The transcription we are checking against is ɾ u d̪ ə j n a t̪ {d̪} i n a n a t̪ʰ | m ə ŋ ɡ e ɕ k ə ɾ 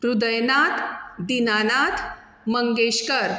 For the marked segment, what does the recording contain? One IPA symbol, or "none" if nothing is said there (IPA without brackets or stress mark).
d̪